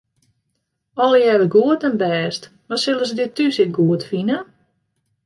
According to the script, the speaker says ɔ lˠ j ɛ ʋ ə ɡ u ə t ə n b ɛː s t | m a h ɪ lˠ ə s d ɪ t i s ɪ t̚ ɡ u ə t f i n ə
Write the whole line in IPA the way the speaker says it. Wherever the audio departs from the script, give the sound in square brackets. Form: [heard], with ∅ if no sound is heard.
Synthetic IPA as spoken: ɔ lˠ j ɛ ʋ ə ɡ u ə t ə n b ɛː s t | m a [s] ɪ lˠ ə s d ɪ t [y] s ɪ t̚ ɡ u ə t f i n ə